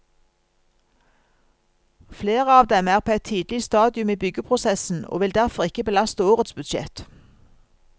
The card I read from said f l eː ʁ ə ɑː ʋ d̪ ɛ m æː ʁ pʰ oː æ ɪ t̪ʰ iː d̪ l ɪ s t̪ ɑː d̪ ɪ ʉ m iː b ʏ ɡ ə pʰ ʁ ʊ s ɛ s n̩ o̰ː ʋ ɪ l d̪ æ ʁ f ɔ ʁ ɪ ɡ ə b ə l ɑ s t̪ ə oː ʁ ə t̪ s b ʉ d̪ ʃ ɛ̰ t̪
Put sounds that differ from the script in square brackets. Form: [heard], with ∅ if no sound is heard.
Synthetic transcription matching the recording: f l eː ʁ ə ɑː ʋ d̪ ɛ m æː ʁ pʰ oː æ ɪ t̪ʰ iː d̪ l ɪ s t̪ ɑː d̪ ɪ ʉ m iː b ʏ ɡ ə pʰ ʁ ʊ s ɛ s n̩ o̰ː ʋ ɪ l d̪ æ ʁ f ɔ ʁ ɪ [k] ə b ə l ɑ s t̪ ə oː ʁ ə t̪ s b ʉ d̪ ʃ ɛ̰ t̪